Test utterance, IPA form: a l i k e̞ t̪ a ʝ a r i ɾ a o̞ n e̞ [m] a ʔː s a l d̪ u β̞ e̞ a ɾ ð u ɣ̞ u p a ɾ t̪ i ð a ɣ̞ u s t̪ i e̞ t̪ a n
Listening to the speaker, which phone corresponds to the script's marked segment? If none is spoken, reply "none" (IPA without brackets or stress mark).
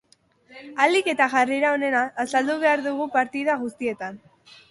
n